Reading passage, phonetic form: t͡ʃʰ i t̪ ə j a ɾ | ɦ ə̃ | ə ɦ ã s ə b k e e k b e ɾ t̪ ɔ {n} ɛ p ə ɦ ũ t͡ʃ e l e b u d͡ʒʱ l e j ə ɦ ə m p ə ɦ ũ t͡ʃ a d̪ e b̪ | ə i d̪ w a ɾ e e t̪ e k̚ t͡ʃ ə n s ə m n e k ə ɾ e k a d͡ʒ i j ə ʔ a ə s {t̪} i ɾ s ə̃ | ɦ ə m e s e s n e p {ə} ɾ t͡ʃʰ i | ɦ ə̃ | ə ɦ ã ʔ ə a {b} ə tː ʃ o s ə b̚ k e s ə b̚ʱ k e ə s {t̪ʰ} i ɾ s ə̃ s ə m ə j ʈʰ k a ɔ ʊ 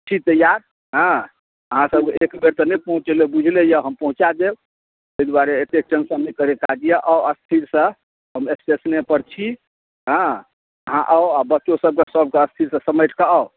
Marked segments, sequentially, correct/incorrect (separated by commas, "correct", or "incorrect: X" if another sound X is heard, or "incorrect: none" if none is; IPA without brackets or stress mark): correct, incorrect: t̪ʰ, correct, correct, correct